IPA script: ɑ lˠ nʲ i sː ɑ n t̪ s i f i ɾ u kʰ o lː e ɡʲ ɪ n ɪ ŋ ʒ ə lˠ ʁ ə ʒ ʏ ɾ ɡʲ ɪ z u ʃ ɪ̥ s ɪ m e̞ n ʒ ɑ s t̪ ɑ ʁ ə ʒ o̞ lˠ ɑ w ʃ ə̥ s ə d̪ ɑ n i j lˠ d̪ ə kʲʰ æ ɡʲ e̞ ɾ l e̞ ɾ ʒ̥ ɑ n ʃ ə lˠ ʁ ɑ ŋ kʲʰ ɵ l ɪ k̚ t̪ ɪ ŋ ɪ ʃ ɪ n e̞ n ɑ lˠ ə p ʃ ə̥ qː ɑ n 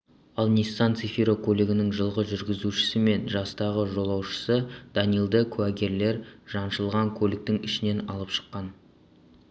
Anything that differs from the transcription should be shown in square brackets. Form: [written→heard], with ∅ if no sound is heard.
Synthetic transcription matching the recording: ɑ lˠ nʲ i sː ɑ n t̪ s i f i ɾ [u→o] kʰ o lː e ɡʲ ɪ n ɪ ŋ ʒ ə lˠ ʁ ə ʒ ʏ ɾ ɡʲ ɪ z u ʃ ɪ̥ s ɪ m e̞ n ʒ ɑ s t̪ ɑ ʁ ə ʒ o̞ lˠ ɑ w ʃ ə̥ s ə d̪ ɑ n i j lˠ d̪ ə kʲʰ æ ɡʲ e̞ ɾ l e̞ ɾ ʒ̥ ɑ n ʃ ə lˠ ʁ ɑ ŋ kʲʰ ɵ l ɪ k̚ t̪ ɪ ŋ ɪ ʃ ɪ n e̞ n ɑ lˠ ə p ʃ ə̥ qː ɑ n